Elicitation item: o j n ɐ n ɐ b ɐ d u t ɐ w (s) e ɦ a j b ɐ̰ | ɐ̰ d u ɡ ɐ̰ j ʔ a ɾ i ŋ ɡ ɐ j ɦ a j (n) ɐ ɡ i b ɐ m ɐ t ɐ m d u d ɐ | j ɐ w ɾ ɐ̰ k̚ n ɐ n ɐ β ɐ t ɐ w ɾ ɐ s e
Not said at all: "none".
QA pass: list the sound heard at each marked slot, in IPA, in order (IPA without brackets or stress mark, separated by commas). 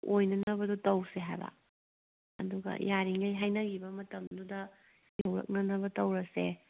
s, n